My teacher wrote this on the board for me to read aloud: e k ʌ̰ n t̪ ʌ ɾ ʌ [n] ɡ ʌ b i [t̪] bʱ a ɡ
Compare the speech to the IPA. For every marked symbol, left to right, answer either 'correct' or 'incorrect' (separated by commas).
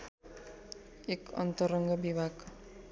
incorrect, incorrect